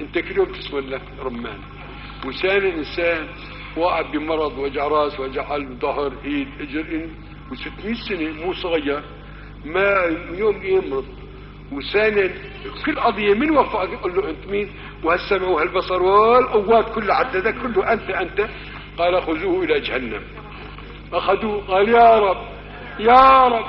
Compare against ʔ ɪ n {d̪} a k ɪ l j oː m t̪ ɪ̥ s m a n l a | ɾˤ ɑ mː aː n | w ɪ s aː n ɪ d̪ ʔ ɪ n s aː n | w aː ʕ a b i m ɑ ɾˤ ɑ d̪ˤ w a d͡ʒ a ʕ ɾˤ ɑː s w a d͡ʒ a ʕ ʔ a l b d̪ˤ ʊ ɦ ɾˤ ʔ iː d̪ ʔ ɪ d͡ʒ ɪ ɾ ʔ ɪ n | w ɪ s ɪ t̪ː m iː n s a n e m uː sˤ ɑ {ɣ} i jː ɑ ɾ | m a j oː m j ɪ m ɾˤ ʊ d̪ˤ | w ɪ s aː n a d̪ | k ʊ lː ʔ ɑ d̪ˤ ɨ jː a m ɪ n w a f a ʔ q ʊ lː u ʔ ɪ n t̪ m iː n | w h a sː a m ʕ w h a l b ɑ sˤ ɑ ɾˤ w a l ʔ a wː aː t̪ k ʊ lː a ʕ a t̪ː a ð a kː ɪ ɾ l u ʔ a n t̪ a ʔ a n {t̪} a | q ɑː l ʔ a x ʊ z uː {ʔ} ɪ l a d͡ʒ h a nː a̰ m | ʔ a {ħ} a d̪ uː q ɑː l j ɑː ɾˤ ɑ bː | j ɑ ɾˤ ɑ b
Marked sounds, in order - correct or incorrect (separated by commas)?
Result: incorrect, correct, correct, correct, incorrect